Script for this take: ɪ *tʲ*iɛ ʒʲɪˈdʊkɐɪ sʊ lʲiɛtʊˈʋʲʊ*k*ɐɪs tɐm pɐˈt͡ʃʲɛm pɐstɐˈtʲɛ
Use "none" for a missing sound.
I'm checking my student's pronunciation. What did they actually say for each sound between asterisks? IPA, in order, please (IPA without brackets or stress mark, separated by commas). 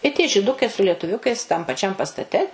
tʲ, k